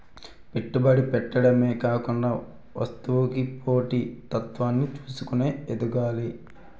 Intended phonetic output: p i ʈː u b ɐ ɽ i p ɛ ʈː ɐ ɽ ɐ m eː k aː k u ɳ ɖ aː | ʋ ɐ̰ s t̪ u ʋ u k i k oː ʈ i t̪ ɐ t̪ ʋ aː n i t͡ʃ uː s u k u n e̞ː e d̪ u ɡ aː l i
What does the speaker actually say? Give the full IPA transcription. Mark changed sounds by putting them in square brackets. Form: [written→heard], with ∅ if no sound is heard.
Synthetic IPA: p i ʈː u b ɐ ɽ i p ɛ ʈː ɐ ɽ ɐ m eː k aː k u ɳ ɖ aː | ʋ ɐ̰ s t̪ u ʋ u k i [k→p] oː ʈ i t̪ ɐ t̪ ʋ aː [n→nː] i t͡ʃ uː s u k u n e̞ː e d̪ u ɡ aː l i